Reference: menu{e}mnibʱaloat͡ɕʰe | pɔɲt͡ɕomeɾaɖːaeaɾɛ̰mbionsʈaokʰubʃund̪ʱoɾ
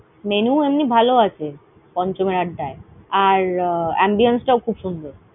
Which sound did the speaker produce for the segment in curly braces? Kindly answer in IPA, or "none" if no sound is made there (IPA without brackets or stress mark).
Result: e